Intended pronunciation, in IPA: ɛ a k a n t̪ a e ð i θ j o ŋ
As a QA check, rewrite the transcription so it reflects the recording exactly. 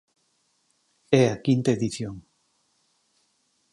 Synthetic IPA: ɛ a k i n t̪ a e ð i θ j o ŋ

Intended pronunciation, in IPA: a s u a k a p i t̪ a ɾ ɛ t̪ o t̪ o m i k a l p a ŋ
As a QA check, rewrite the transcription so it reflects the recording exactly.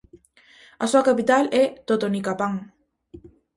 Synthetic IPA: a s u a k a p i t̪ a l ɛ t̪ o t̪ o n i k a p a ŋ

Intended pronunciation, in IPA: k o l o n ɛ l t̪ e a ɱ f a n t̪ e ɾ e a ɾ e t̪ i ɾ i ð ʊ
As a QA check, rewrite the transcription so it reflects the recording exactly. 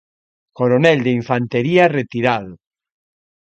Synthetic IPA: k o ɾ o n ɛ l d̪ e i ɱ f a n t̪ e ɾ i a r e t̪ i ɾ a ð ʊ

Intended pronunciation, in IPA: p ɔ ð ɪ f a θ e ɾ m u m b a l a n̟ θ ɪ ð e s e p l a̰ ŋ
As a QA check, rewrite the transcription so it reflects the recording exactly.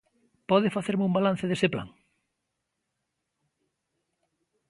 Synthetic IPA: p ɔ ð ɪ f a θ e ɾ m u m b a l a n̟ θ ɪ ð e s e p l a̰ ŋ

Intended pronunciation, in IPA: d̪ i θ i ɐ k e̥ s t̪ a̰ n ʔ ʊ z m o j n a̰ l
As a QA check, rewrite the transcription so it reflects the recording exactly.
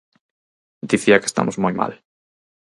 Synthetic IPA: d̪ i θ i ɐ k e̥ s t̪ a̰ m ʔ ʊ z m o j m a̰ l

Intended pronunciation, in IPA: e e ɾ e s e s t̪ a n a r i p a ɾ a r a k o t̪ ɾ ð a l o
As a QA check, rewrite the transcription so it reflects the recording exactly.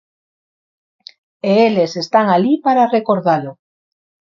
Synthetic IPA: e e l e s e s t̪ a ŋ a l i p a ɾ a r e k o ɾ ð a l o

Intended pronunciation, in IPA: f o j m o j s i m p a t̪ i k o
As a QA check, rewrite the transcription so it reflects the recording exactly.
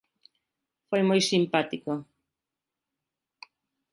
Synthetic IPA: f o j m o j s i m p a t̪ i k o

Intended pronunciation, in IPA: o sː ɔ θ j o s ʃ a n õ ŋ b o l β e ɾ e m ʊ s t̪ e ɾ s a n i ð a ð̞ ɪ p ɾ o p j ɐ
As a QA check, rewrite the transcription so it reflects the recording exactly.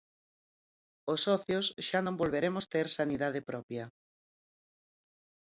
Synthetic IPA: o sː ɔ θ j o s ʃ a n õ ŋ b o l β e ɾ e m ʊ s t̪ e ɾ s a n i ð a ð̞ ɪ p ɾ ɔ p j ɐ

